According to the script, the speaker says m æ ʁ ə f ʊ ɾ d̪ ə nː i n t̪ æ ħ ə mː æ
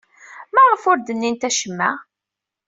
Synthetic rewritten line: m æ ʁ ə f ʊ ɾ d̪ ə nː i n t̪ æ ʃ ə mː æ